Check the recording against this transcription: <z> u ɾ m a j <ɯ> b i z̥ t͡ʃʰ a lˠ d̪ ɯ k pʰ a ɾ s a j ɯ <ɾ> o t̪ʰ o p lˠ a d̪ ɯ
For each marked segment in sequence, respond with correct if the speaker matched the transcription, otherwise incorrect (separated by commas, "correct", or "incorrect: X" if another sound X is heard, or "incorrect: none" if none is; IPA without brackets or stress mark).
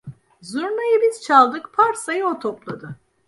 correct, correct, incorrect: none